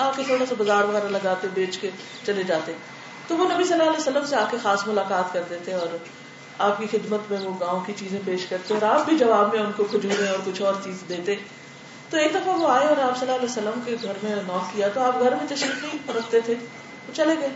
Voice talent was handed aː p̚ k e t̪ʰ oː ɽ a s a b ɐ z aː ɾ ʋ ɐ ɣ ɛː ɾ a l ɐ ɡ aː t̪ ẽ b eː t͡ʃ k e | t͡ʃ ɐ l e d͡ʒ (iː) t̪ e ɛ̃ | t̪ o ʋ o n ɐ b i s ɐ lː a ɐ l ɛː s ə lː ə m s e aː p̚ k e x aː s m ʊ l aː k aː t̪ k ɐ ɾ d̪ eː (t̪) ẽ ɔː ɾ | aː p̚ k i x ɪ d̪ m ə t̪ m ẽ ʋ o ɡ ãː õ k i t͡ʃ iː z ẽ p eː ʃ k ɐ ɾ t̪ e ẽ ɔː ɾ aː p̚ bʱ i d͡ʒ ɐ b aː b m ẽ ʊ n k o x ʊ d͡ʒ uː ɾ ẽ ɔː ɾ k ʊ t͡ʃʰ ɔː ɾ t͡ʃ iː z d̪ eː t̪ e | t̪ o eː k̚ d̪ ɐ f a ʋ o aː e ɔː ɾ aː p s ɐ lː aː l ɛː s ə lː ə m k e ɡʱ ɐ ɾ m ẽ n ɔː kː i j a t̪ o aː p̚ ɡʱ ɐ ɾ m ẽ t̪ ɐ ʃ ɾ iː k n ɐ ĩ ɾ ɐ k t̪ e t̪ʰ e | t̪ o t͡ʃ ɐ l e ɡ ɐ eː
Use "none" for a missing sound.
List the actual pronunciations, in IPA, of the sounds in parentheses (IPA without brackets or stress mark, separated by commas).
aː, t̪